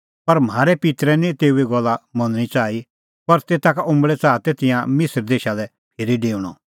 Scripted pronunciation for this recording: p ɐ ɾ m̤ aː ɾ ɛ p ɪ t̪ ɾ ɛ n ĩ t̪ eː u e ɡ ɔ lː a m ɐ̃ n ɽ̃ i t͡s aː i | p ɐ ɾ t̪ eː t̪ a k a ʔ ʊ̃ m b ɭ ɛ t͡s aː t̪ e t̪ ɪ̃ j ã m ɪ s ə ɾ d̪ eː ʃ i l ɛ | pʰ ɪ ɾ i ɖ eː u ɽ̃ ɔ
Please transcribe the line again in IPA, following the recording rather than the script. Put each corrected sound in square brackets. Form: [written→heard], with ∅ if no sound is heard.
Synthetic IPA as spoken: p ɐ ɾ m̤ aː ɾ ɛ p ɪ t̪ ɾ ɛ n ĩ t̪ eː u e ɡ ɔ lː a m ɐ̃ n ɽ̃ i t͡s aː i | p ɐ ɾ t̪ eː t̪ a k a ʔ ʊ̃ m b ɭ ɛ t͡s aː t̪ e t̪ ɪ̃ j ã m ɪ s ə ɾ d̪ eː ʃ [i→a] l ɛ | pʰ ɪ ɾ i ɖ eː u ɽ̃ ɔ